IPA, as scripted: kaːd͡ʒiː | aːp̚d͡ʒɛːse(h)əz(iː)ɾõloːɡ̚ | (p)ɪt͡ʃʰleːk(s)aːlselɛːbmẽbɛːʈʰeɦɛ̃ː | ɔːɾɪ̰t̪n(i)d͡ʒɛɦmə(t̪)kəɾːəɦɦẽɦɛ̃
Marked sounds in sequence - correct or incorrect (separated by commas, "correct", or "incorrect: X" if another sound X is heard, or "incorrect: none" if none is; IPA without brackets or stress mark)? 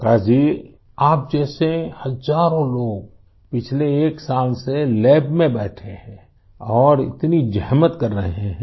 correct, incorrect: aː, correct, correct, correct, correct